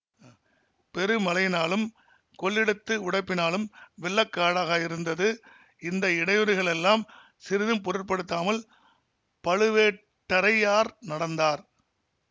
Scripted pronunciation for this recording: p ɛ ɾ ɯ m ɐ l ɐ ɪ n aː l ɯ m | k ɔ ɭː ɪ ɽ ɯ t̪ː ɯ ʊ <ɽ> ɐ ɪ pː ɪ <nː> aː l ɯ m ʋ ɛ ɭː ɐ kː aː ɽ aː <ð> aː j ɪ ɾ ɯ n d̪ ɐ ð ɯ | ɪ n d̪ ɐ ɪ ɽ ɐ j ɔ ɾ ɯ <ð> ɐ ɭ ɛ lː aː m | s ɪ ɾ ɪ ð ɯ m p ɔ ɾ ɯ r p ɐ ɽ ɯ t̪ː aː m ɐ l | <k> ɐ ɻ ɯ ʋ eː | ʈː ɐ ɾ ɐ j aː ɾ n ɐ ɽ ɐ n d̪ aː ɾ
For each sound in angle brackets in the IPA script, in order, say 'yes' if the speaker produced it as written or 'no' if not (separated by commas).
yes, no, no, no, no